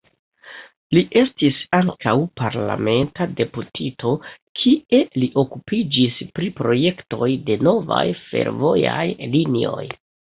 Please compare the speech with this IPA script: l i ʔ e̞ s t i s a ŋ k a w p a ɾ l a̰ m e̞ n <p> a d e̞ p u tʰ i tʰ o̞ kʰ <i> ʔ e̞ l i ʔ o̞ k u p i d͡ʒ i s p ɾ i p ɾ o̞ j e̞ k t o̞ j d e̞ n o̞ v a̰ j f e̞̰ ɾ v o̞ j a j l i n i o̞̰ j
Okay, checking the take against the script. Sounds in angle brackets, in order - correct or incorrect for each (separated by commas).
incorrect, correct